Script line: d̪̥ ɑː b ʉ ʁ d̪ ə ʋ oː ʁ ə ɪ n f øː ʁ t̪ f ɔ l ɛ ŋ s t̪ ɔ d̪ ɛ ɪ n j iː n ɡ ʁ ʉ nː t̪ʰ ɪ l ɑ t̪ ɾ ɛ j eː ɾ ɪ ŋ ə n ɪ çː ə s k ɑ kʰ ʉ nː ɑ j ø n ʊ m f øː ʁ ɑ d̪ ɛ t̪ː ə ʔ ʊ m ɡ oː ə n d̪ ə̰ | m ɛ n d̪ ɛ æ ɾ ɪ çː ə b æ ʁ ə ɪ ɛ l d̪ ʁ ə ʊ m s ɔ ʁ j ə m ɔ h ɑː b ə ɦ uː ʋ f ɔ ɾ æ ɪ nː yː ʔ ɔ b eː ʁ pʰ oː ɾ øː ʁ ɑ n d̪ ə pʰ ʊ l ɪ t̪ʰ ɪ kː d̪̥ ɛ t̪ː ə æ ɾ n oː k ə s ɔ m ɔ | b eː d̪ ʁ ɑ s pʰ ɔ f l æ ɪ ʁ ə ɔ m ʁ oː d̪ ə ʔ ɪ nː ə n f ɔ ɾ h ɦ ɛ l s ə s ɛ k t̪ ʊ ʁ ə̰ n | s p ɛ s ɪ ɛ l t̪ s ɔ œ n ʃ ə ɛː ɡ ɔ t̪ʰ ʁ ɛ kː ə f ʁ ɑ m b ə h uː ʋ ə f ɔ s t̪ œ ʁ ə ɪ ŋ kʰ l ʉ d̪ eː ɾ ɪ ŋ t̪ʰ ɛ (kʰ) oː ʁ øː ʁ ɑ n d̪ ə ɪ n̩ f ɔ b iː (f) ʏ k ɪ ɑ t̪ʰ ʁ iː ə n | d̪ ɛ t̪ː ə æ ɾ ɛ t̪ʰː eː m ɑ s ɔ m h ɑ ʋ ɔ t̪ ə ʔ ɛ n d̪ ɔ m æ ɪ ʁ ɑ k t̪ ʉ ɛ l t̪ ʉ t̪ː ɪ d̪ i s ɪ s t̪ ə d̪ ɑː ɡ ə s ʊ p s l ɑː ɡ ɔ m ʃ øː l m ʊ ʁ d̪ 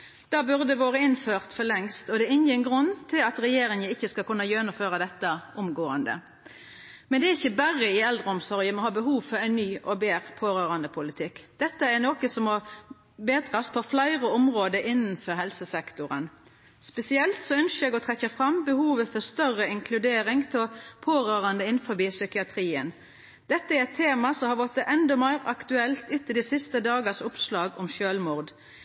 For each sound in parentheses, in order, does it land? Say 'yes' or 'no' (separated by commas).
no, no